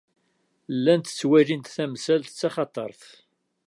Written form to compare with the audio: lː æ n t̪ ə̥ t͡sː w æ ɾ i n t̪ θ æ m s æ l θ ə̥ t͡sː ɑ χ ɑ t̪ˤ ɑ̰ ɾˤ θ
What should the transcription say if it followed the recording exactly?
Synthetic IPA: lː æ n t̪ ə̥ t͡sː w æ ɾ i n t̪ θ æ m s æ l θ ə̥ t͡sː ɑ χ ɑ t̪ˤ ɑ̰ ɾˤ θ

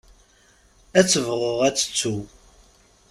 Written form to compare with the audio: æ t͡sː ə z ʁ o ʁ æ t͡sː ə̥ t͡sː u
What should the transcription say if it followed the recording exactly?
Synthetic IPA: æ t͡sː ə v ʁ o ʁ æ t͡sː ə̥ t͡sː u

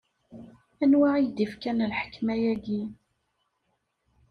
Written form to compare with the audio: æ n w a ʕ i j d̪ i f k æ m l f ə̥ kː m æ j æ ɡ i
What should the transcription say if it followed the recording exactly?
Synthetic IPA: æ n w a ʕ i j d̪ i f k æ n l ħ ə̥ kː m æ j æ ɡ i

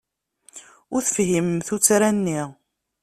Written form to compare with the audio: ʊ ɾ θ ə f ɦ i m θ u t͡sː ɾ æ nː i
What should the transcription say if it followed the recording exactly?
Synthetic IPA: ʊ ɾ θ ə f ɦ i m θ u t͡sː ɾ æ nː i

